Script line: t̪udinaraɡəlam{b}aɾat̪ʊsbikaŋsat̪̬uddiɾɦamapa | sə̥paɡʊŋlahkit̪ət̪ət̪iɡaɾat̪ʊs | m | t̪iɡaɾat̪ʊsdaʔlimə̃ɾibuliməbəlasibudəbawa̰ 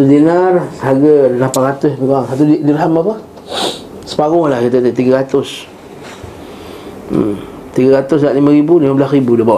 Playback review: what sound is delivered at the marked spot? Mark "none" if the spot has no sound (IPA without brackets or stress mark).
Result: p